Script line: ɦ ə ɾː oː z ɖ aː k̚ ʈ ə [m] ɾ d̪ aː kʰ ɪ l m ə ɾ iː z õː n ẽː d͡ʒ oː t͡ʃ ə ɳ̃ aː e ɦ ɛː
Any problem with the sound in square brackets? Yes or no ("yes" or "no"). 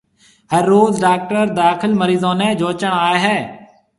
yes